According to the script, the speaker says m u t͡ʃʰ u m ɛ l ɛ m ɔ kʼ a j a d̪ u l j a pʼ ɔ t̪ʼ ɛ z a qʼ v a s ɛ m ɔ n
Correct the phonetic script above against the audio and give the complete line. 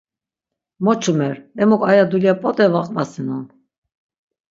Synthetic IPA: m ɔ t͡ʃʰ u m ɛ ɾ ɛ m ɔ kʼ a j a d̪ u l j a pʼ ɔ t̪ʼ ɛ v a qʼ v a s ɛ n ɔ n